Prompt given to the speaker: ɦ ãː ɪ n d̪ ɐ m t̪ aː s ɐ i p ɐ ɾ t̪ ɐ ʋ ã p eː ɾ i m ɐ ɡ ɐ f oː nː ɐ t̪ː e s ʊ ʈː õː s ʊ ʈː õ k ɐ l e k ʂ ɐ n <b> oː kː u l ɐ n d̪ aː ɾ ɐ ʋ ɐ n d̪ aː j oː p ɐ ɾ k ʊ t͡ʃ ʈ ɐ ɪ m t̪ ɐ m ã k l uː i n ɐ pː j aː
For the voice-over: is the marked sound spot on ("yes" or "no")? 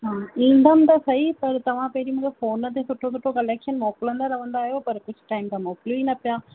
no